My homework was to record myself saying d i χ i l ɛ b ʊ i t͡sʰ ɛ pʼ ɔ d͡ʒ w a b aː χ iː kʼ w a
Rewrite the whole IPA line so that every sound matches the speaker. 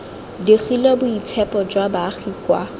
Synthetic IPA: d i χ i l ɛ b ʊ i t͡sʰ ɛ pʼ ɔ d͡ʒ w a b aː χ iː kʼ w a